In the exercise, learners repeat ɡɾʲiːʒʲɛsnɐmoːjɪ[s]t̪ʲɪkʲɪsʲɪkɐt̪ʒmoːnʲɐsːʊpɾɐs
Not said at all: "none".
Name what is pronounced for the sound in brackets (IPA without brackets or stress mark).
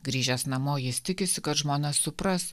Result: s